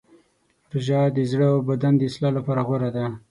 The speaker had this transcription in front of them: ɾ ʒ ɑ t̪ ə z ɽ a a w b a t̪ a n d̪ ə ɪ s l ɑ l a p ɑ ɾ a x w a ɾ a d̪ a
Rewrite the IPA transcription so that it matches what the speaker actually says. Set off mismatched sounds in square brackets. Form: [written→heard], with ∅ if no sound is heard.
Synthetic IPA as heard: ɾ ʒ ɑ [t̪→d̪] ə z ɽ [a→ə] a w b a [t̪→d̪] a n d̪ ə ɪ s l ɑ l a p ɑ ɾ a [x→ɣ] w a ɾ a d̪ a